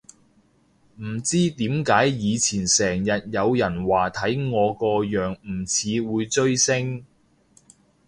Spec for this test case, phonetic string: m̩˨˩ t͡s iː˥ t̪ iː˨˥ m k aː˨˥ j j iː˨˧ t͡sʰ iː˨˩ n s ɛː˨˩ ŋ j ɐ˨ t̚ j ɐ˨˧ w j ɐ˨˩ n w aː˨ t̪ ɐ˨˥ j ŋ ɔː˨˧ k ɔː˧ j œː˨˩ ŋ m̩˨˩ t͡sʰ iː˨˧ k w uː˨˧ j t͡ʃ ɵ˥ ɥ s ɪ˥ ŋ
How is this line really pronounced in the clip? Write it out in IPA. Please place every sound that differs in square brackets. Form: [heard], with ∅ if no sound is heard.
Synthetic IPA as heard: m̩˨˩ t͡s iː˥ t̪ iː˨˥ m k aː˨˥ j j iː˨˧ t͡sʰ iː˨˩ n s ɛː˨˩ ŋ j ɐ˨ t̚ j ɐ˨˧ w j ɐ˨˩ n w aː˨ [t̪ʰ] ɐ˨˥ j ŋ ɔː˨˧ k ɔː˧ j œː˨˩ ŋ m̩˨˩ t͡sʰ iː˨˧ [∅] w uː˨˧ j t͡ʃ ɵ˥ ɥ s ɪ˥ ŋ